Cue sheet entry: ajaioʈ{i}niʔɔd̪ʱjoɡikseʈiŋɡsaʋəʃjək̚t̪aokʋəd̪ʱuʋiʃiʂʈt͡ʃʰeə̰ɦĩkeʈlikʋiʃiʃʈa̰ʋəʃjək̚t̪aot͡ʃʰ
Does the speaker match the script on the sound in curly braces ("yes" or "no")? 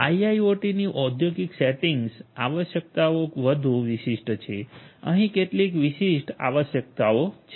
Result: yes